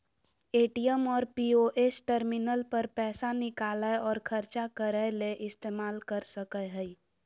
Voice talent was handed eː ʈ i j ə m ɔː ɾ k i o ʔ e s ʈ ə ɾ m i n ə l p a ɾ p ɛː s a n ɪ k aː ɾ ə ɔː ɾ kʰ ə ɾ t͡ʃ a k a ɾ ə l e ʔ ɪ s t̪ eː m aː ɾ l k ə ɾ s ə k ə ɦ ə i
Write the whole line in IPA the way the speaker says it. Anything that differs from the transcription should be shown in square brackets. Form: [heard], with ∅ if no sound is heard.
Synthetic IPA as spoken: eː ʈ i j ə m ɔː ɾ [p] i o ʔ e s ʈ ə ɾ m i n ə l p [ə] ɾ p ɛː s a n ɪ k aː [l] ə ɔː ɾ kʰ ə ɾ t͡ʃ a k [ə] ɾ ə l e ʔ ɪ s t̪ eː m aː [∅] l k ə ɾ s ə k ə ɦ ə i